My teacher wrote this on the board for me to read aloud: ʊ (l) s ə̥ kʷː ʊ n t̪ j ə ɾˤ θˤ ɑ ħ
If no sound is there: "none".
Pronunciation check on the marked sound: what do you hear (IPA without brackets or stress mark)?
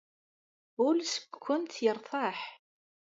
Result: l